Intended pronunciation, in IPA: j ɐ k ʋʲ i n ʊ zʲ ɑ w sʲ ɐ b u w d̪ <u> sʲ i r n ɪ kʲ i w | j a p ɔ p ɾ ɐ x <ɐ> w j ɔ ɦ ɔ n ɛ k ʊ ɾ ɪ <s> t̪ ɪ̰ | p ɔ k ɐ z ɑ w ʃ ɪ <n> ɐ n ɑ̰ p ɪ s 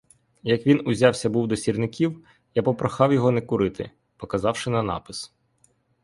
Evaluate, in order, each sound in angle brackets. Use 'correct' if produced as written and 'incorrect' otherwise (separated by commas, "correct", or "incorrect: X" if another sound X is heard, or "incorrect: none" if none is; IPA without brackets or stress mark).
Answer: incorrect: ɔ, incorrect: ɑ, incorrect: none, correct